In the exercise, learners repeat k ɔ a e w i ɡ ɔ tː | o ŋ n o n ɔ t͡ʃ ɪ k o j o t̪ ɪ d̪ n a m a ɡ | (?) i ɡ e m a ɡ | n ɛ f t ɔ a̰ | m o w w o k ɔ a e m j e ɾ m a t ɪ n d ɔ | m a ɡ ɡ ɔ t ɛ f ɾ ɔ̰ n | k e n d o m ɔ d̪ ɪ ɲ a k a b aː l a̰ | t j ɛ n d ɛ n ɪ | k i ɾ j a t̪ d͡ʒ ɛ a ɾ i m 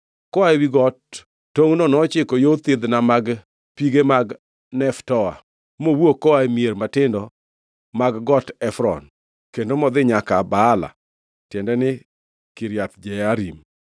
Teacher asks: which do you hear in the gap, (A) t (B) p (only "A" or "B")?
B